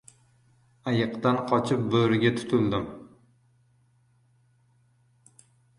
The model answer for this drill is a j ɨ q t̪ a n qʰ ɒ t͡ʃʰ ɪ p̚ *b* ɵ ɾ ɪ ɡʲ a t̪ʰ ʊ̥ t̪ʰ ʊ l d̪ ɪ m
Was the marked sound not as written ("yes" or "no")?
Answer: no